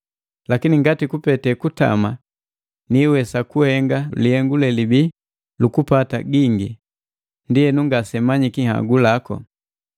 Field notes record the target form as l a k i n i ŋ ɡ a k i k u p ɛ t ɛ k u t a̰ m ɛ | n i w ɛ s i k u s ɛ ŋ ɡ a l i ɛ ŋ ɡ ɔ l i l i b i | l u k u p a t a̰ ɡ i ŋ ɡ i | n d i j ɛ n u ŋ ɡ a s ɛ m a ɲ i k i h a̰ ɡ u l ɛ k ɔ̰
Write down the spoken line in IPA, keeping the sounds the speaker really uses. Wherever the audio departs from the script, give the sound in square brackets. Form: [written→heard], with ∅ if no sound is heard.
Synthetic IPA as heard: l a k i n i ŋ ɡ a [k→t] i k u p ɛ t ɛ k u t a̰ m [ɛ→a] | n i w ɛ s [i→a] k u [s→h] ɛ ŋ ɡ a l i ɛ ŋ ɡ [ɔ→u] l [i→ɛ] l i b i | l u k u p a t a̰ ɡ i ŋ ɡ i | n d i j ɛ n u ŋ ɡ a s ɛ m a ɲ i k i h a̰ ɡ u l [ɛ→a] k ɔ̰